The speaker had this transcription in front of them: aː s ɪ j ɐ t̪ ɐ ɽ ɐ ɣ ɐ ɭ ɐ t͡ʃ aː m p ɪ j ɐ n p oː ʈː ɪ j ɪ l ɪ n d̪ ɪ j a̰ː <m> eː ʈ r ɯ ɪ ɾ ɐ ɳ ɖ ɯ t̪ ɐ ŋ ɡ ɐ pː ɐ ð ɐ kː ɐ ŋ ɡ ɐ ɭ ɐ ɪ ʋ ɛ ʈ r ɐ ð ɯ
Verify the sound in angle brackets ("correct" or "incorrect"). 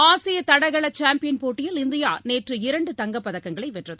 incorrect